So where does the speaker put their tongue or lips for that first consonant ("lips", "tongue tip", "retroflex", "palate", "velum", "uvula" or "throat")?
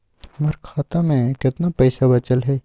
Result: lips